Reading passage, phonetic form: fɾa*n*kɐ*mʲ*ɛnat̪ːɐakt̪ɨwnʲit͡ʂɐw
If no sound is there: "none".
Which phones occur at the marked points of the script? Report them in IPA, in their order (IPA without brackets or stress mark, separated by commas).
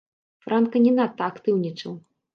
n, nʲ